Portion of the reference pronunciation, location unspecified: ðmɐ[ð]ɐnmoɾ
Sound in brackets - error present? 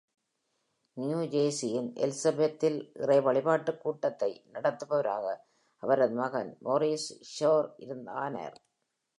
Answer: yes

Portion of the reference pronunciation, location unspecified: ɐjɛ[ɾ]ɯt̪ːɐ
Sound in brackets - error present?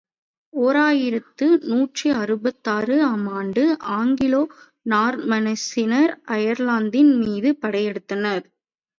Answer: yes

